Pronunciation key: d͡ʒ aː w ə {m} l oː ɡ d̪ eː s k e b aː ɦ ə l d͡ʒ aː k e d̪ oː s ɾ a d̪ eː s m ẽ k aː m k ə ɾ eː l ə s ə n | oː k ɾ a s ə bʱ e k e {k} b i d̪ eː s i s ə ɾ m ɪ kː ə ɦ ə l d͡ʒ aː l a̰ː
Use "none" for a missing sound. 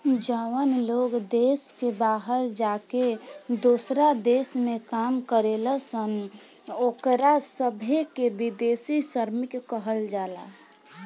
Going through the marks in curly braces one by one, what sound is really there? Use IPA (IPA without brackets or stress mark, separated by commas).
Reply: n, none